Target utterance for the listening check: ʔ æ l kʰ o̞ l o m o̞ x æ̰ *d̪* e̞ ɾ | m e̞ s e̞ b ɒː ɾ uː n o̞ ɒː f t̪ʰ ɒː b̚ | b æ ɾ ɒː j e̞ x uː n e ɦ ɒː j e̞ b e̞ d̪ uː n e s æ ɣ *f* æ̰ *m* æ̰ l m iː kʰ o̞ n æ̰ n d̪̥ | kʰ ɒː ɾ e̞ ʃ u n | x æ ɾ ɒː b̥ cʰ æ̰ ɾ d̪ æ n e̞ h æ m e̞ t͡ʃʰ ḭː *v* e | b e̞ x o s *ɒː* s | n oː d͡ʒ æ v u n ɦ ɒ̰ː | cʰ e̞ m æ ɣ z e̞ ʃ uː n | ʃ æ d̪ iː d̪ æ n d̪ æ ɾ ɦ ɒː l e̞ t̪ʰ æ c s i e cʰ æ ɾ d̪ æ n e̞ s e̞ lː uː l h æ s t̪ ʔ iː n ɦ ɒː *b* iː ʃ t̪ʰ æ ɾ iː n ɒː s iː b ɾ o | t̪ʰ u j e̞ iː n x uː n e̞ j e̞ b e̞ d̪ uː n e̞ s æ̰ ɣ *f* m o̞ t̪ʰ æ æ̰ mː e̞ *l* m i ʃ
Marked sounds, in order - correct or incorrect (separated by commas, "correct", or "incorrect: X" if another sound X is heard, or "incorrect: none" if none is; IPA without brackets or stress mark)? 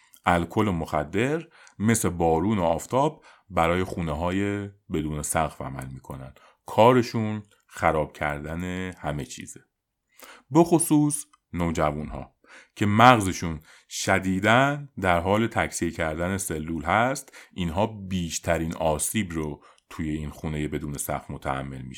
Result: incorrect: d̪ː, correct, correct, incorrect: z, incorrect: uː, correct, correct, correct